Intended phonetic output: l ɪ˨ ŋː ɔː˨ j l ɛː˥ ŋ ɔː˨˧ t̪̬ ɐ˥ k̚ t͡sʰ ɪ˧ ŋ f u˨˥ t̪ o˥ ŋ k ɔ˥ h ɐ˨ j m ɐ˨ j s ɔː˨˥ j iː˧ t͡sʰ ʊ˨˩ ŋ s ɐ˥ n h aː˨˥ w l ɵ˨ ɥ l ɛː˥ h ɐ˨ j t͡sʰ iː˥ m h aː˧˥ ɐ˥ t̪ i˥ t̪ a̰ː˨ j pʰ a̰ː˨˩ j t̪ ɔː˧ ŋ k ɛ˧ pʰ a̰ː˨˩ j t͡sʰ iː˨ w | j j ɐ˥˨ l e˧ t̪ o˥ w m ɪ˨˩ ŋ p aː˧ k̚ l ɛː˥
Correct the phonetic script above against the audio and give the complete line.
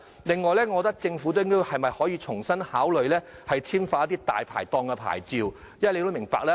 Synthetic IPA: l ɪ˨ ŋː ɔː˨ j l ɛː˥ ŋ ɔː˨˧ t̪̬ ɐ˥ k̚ t͡s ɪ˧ ŋ f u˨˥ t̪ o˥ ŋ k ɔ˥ h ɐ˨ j m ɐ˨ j h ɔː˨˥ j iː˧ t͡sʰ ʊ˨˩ ŋ s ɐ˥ n h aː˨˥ w l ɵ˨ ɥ l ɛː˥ h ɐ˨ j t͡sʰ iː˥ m f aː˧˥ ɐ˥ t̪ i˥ t̪ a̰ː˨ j pʰ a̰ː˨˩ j t̪ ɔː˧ ŋ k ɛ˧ pʰ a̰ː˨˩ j t͡s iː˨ w | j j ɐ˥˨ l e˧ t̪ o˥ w m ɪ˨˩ ŋ p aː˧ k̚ l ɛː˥